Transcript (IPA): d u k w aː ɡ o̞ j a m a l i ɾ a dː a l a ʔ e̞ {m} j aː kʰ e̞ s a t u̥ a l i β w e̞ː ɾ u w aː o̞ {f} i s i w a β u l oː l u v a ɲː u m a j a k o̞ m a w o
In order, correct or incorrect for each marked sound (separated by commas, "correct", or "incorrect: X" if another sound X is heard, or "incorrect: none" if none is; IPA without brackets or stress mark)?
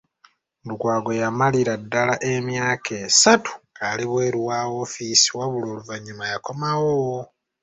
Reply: correct, correct